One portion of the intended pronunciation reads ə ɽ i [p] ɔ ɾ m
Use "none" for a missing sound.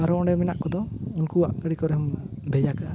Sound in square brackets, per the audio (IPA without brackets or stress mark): k